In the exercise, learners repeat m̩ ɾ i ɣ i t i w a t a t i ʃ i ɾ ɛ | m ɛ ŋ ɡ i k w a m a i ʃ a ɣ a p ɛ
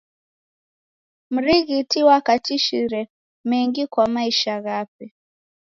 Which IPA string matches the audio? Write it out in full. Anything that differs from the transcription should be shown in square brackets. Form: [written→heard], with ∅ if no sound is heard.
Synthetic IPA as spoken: m̩ ɾ i ɣ i t i w a [t→k] a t i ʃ i ɾ ɛ | m ɛ ŋ ɡ i k w a m a i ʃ a ɣ a p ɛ